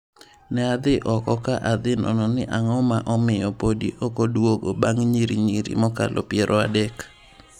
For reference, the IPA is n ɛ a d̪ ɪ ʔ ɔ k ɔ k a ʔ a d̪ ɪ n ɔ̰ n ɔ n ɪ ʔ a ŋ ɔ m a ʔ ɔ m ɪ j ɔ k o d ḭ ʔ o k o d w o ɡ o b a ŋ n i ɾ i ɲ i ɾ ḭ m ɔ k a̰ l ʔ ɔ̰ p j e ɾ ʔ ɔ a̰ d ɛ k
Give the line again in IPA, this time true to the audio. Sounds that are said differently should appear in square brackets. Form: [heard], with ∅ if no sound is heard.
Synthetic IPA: n ɛ a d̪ ɪ ʔ ɔ k ɔ k a ʔ a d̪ ɪ n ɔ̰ n ɔ n ɪ ʔ a ŋ ɔ m a ʔ ɔ m ɪ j ɔ [p] o d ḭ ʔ o k o d w o ɡ o b a ŋ [ɲ] i ɾ i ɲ i ɾ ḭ m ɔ k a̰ l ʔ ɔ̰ p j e ɾ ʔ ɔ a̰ d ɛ k